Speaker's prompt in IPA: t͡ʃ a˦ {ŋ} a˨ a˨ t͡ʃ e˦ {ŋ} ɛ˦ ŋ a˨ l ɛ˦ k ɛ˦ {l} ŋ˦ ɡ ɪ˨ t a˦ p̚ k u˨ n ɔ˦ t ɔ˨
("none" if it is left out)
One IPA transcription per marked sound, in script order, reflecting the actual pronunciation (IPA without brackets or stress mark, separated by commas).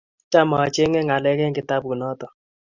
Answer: m, ŋ, none